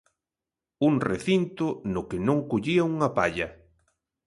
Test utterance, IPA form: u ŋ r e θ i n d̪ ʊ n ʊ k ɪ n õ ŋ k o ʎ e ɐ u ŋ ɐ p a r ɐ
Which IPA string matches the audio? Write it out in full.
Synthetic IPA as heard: u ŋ r e θ i n t̪ ʊ n ʊ k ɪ n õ ŋ k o ʎ i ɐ u ŋ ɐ p a ʎ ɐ

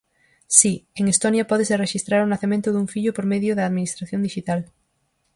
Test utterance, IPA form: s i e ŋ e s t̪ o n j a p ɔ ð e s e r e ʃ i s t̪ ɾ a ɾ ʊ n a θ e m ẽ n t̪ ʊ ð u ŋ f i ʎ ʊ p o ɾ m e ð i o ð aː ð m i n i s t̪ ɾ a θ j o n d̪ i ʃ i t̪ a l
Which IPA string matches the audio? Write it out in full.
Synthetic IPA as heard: s i e ŋ e s t̪ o n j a p ɔ ð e s e r e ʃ i s t̪ ɾ a ɾ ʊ n a θ e m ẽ n t̪ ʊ ð u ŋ f i ʎ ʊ p o ɾ m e ð j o ð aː ð m i n i s t̪ ɾ a θ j o n d̪ i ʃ i t̪ a l

